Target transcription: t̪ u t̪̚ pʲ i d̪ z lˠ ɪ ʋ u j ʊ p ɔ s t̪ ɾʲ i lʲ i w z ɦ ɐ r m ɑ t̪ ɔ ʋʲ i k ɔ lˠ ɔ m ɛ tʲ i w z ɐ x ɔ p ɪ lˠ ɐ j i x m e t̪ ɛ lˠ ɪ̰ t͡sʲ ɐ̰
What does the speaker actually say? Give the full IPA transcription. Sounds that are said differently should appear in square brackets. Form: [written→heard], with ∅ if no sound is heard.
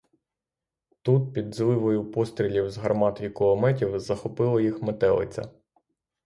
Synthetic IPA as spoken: t̪ u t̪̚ pʲ i d̪ z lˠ ɪ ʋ [u→ɔ] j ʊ p ɔ s t̪ ɾʲ i lʲ i w z ɦ ɐ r m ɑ t̪ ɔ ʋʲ i k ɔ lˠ ɔ m ɛ tʲ i w z ɐ x ɔ p ɪ lˠ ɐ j i x m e t̪ ɛ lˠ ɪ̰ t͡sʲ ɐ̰